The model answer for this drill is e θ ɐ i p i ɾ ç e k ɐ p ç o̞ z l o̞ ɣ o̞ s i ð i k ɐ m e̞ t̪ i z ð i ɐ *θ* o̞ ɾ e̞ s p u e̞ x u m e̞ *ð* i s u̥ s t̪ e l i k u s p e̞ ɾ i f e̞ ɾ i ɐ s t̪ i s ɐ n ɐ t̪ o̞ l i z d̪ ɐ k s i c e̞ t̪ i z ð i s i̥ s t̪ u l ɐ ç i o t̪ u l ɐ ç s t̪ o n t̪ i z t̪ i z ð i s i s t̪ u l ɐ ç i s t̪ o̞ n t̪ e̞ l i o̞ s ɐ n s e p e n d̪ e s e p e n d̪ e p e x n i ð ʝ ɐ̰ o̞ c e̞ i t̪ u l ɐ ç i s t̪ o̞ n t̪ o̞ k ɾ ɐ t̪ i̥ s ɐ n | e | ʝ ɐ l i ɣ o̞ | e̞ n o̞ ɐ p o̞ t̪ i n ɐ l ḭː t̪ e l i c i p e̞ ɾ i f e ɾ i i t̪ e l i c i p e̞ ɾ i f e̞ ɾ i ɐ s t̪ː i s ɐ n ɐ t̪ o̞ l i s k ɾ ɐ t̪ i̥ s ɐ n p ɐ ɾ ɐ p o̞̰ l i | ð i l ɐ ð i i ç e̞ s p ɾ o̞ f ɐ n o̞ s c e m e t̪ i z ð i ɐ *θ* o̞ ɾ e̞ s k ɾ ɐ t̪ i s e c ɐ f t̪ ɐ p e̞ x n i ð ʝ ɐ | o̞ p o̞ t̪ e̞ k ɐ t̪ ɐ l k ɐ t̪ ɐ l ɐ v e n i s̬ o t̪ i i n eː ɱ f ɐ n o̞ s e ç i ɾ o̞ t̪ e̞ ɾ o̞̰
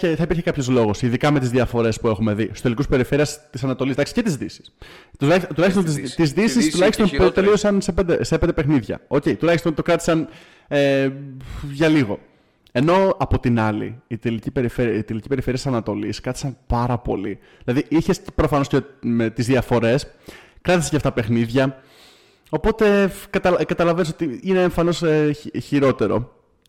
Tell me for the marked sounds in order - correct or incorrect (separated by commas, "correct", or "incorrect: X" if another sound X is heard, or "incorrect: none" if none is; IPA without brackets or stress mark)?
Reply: incorrect: f, correct, incorrect: f